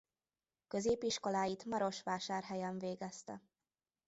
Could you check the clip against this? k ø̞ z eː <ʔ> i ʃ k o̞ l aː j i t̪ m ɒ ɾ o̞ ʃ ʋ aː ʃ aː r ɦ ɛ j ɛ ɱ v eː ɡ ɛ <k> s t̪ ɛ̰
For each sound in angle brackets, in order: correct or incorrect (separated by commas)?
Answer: incorrect, incorrect